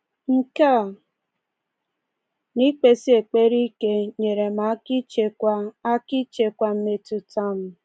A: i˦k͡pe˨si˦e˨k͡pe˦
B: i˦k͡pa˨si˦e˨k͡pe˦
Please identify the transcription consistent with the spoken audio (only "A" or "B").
A